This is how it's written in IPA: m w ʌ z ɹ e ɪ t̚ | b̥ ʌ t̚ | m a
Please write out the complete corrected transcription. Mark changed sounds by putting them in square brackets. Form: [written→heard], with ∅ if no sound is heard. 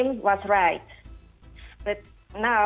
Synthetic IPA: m w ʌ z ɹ [e→a] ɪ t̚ | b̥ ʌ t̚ | [m→n] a